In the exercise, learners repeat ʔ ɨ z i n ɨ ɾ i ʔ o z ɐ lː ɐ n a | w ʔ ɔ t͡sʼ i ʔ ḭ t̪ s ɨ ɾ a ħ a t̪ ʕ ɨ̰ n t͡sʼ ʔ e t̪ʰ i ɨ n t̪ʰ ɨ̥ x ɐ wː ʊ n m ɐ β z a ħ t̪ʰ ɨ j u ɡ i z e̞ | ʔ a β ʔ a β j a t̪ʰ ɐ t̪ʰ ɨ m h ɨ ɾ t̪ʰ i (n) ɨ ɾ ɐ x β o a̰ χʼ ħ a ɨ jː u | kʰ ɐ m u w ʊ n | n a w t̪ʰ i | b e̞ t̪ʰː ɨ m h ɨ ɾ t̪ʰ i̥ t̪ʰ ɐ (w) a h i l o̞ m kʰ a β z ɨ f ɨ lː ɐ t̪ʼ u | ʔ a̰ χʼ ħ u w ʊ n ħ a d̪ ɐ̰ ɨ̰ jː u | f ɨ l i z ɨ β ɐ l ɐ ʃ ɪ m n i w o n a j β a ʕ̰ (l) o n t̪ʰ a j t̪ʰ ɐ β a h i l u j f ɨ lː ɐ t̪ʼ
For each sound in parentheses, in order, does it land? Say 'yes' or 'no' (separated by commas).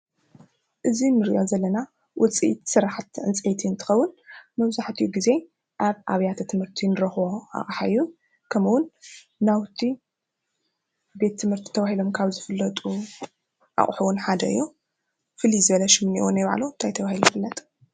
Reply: yes, no, yes